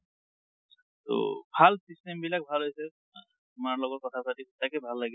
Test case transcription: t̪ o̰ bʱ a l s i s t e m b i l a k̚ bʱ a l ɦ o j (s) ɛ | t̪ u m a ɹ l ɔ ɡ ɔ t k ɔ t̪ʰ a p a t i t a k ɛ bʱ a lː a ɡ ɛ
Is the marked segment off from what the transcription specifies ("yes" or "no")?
no